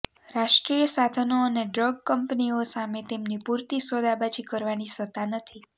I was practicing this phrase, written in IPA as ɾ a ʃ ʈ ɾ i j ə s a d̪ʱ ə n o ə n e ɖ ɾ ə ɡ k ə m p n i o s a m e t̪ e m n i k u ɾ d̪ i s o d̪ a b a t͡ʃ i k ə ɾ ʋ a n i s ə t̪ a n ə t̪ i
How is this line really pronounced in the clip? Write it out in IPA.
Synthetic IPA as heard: ɾ a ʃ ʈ ɾ i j ə s a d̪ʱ ə n o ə n e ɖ ɾ ə ɡ k ə m p n i o s a m e t̪ e m n i p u ɾ t̪ i s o d̪ a b a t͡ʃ i k ə ɾ ʋ a n i s ə t̪ a n ə t̪ʰ i